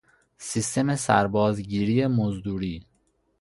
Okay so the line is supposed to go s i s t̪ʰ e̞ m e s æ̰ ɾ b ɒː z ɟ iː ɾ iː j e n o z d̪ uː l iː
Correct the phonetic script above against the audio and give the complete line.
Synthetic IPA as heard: s i s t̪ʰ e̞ m e s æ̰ ɾ b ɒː z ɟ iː ɾ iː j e m o z d̪ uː ɾ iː